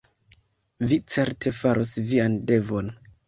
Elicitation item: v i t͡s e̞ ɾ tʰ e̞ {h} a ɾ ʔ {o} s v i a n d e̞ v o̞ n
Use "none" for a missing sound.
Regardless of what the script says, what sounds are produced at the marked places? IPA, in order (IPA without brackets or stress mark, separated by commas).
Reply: f, o